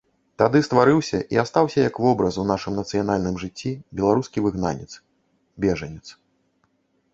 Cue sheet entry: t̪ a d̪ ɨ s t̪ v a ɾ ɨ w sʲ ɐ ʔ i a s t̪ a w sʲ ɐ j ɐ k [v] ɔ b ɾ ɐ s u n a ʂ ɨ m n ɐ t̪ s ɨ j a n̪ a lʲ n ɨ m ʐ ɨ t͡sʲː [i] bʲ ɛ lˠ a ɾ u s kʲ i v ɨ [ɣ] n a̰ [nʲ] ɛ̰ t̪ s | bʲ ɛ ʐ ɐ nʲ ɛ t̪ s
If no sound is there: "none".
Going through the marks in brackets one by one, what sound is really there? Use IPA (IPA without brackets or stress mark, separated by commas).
v, i, ɣ, nʲ